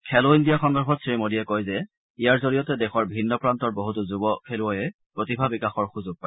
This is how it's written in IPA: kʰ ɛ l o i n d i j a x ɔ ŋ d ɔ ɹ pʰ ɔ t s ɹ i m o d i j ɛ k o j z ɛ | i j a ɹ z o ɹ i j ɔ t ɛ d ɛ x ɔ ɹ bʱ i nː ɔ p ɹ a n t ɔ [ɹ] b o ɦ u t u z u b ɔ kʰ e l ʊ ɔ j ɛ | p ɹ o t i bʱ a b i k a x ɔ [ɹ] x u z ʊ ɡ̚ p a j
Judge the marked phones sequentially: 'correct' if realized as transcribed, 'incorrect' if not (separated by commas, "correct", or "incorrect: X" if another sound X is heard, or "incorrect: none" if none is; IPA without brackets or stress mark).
correct, correct